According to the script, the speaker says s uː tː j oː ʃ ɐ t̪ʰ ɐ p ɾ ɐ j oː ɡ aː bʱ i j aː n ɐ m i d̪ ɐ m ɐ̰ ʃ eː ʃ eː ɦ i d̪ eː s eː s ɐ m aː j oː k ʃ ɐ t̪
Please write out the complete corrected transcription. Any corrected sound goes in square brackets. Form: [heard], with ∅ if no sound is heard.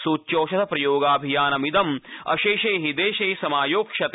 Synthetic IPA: s uː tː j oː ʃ ɐ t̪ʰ ɐ p ɾ ɐ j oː ɡ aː bʱ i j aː n ɐ m i d̪ ɐ m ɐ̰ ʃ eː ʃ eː ɦ i d̪ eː [ʃ] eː s ɐ m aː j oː k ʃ ɐ t̪